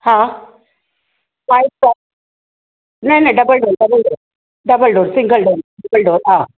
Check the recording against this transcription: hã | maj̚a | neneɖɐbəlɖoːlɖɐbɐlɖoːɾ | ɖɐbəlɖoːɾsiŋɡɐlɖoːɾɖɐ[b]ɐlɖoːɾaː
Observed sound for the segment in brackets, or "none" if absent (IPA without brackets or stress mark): b